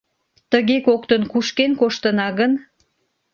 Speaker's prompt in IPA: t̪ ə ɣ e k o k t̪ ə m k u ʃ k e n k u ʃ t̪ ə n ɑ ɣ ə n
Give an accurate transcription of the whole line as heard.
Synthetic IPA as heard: t̪ ə ɣ e k o k t̪ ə n k u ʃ k e n k o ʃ t̪ ə n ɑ ɣ ə n